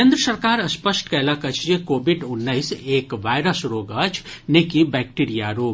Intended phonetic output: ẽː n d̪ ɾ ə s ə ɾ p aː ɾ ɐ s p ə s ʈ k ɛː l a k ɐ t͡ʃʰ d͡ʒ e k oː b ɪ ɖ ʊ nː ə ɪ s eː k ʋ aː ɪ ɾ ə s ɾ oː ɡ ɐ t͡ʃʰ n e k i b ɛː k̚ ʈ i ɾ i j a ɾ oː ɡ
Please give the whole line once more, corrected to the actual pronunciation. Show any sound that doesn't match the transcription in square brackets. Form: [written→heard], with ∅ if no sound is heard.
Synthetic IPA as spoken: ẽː n d̪ ɾ ə s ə ɾ [p→k] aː ɾ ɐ s p ə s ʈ k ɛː l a k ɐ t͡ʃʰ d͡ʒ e k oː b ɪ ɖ ʊ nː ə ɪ s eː k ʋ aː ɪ ɾ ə s ɾ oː ɡ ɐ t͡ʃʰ n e k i b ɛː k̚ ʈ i ɾ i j a ɾ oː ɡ